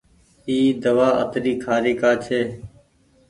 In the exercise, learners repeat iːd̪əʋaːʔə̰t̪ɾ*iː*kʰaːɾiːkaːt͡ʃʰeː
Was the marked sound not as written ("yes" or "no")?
no